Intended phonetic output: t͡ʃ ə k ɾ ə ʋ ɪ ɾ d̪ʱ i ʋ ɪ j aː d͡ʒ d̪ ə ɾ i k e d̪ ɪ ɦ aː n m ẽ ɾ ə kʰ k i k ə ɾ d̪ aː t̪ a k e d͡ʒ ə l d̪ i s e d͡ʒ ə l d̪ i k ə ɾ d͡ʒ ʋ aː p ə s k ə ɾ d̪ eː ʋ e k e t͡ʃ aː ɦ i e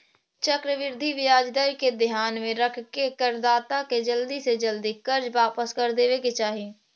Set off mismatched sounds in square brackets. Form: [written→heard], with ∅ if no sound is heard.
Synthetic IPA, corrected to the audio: t͡ʃ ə k ɾ ə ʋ ɪ ɾ d̪ʱ i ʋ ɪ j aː d͡ʒ d̪ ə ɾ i k e d̪ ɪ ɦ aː n m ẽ ɾ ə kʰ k [i→e] k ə ɾ d̪ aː t̪ a k e d͡ʒ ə l d̪ i s e d͡ʒ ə l d̪ i k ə ɾ d͡ʒ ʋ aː p ə s k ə ɾ d̪ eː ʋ e k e t͡ʃ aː ɦ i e